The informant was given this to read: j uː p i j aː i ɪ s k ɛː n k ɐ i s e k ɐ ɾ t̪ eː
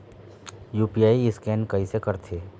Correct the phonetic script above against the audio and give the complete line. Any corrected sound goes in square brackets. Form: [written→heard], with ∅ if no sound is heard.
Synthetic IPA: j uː p i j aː i ɪ s k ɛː n k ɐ i s e k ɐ ɾ [t̪→t̪ʰ] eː